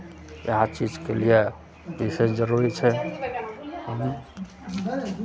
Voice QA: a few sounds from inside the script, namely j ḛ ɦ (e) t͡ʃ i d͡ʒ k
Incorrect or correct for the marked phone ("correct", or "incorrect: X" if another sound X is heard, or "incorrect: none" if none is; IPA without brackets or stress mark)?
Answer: incorrect: a